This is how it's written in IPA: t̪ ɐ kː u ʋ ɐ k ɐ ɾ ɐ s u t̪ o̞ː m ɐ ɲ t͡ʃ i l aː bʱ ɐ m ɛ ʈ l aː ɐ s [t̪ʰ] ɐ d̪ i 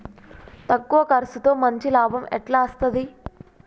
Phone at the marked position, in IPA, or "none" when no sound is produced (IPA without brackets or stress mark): t̪